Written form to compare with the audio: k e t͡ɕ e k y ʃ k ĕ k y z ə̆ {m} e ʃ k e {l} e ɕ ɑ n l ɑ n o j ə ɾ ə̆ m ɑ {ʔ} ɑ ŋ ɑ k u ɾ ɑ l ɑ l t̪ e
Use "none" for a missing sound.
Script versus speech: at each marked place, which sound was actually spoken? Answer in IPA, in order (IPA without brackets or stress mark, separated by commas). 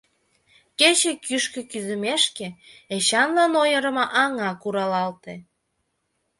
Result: m, none, ʔ